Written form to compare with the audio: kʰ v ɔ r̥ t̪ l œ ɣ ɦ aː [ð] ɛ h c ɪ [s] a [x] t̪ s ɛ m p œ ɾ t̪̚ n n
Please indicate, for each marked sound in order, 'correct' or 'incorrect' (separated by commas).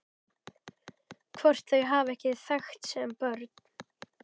incorrect, incorrect, correct